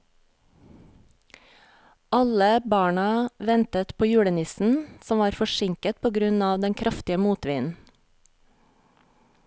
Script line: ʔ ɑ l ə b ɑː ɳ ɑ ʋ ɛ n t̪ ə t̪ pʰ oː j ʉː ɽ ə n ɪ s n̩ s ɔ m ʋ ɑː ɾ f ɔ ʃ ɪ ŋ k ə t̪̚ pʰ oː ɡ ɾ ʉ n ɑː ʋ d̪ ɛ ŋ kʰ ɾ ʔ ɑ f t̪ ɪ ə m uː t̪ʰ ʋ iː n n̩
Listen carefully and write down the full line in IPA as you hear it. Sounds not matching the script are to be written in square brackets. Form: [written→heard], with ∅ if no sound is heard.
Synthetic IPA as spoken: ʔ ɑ l ə b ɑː ɳ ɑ ʋ ɛ n t̪ ə t̪ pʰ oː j ʉː ɽ ə n ɪ s n̩ s ɔ m ʋ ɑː ɾ f ɔ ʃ ɪ ŋ k ə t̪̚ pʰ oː ɡ ɾ ʉ n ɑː ʋ d̪ ɛ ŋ kʰ ɾ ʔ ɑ f t̪ ɪ ə m uː [t̪ʰ→t̪] ʋ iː n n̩